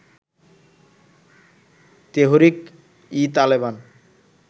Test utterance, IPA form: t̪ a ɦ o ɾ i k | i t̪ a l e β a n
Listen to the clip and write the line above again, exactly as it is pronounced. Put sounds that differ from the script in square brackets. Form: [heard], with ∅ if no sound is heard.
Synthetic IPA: t̪ [e] ɦ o ɾ i k | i t̪ a l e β a n

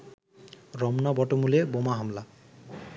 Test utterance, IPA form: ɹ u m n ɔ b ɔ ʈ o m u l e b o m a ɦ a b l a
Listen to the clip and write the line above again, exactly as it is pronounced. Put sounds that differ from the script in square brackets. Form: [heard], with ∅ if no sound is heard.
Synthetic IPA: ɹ [ɔ] m n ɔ b ɔ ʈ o m u l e b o m a ɦ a [m] l a

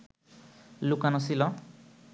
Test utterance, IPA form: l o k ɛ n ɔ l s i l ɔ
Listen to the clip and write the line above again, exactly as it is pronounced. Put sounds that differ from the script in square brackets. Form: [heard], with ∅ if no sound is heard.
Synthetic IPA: l [u] k [a] n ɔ [∅] s i l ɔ

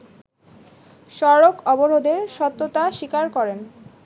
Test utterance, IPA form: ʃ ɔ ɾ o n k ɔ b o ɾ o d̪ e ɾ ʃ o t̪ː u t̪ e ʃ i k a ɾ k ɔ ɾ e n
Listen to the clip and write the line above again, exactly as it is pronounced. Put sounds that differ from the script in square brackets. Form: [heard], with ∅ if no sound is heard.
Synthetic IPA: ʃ ɔ ɾ o [∅] k ɔ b o ɾ o d̪ e ɾ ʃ [ɔ] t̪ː [o] t̪ [a] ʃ i k a ɾ k ɔ ɾ e n

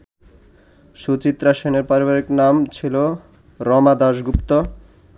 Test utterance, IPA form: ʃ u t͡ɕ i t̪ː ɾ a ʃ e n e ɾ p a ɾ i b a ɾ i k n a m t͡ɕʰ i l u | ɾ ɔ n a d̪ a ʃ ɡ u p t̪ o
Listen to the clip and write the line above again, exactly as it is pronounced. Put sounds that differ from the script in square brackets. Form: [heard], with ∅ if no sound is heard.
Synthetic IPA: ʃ u t͡ɕ i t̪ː ɾ a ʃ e n e ɾ p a ɾ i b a ɾ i k n a m t͡ɕʰ i l [o] | ɾ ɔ [m] a d̪ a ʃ ɡ u p t̪ o

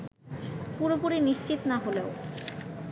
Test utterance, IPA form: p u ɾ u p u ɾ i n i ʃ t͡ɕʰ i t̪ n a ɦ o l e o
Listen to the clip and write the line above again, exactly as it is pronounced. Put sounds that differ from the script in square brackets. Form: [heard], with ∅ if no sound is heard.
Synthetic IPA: p u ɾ [o] p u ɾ i n i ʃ [t͡ɕ] i t̪ n a ɦ o l e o

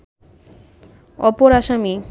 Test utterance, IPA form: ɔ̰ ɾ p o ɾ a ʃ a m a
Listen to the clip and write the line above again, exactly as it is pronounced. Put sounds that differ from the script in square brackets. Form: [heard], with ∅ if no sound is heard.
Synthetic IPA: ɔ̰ [∅] p o ɾ a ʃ a m [i]

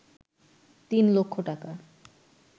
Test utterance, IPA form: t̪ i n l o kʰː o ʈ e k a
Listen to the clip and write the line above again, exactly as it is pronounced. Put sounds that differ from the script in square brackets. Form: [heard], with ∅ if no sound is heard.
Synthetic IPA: t̪ i n l o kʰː o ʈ [a] k a

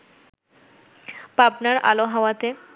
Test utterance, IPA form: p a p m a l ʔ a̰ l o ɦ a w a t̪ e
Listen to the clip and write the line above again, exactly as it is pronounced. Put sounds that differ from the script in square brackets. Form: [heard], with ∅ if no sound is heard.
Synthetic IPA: p a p [n] a [ɾ] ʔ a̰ l o ɦ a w a t̪ e

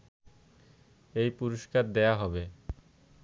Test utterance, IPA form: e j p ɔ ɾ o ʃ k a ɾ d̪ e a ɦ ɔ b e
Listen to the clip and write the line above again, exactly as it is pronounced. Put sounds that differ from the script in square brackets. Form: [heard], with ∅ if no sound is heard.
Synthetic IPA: e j p [u] ɾ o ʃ k a ɾ d̪ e a ɦ ɔ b e

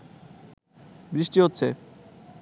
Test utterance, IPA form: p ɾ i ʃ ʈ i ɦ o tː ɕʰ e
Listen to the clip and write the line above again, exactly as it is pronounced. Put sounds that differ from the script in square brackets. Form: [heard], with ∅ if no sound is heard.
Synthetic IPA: [b] ɾ i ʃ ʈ i ɦ o tː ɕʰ e

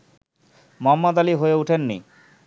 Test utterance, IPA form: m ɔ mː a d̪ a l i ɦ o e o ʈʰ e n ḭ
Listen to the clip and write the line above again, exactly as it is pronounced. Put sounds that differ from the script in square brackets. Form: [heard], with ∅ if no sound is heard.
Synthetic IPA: m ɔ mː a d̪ a l i ɦ o e [u] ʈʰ e [nː] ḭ

